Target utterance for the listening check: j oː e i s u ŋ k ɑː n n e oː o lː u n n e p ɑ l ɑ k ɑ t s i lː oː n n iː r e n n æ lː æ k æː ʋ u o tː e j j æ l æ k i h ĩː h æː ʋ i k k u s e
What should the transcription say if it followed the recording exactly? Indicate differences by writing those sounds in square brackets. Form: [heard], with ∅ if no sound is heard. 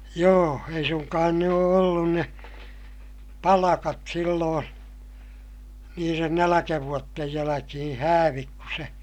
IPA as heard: j oː e i s u ŋ k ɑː n n e oː o lː u n n e p ɑ l ɑ k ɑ t s i lː oː n n iː r e n n æ [l] æ k [æ] ʋ u o tː e j j æ l æ k i h ĩː h æː ʋ i k k u s e